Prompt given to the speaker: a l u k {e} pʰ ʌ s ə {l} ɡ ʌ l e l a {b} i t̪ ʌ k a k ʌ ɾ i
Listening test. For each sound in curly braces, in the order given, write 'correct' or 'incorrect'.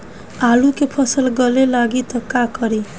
correct, correct, incorrect: ɡ

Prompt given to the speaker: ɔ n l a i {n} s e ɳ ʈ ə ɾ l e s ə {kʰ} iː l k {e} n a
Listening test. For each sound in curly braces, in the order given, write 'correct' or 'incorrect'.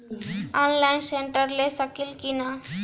correct, incorrect: k, incorrect: i

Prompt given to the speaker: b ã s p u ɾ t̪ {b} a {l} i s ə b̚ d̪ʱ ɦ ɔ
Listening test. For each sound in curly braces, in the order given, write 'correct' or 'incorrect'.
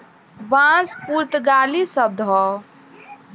incorrect: ɡ, correct

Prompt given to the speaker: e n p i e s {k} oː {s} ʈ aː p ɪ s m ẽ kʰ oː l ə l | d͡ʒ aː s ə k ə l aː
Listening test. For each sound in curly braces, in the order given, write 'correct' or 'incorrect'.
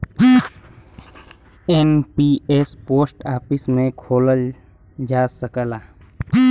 incorrect: p, correct

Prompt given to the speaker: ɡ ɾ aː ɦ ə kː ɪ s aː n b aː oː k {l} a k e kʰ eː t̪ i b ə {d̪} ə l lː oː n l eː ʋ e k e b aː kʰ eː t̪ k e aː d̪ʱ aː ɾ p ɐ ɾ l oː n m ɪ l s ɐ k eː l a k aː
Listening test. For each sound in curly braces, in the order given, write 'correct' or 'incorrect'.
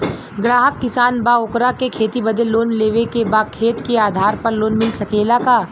incorrect: ɾ, correct

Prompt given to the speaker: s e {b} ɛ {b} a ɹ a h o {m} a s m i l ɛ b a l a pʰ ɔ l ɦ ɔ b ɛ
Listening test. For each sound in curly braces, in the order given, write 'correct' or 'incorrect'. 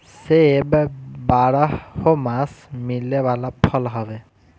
correct, correct, correct

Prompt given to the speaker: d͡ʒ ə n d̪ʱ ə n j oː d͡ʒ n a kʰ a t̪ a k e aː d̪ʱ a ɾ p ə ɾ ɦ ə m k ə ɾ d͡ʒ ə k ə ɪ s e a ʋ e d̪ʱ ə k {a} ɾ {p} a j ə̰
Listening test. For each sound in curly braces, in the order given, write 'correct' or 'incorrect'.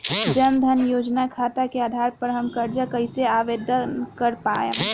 incorrect: ə, correct

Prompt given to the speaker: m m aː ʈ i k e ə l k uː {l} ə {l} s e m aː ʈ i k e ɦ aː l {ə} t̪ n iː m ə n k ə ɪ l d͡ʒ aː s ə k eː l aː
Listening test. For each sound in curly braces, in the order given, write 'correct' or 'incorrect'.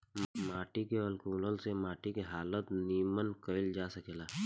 correct, correct, correct

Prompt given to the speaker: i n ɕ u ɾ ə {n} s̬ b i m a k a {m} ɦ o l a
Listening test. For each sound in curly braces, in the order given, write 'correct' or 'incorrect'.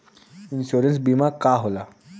correct, incorrect: none

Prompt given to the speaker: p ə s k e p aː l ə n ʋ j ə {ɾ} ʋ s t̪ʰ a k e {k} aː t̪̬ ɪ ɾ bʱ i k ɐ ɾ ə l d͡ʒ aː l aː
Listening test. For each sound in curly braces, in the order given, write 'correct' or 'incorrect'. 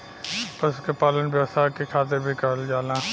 incorrect: none, incorrect: kʰ

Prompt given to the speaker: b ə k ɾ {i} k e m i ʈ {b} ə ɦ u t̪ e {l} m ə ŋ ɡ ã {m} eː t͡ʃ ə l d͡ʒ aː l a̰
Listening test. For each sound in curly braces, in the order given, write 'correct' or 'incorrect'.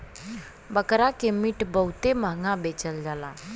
incorrect: a, correct, incorrect: none, incorrect: b

